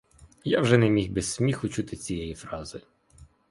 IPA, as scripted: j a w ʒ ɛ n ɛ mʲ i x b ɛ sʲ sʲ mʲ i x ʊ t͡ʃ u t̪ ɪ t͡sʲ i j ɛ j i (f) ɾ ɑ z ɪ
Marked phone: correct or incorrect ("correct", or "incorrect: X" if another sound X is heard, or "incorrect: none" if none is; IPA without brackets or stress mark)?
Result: correct